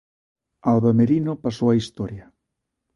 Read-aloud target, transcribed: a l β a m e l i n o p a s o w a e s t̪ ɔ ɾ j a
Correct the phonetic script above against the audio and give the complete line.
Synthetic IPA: a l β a m e ɾ i n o p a s o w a i s t̪ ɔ ɾ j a